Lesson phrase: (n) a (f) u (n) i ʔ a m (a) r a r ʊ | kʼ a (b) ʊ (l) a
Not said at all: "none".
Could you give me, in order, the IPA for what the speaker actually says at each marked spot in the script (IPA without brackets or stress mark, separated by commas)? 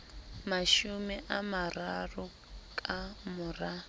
m, ʃ, m, a, m, r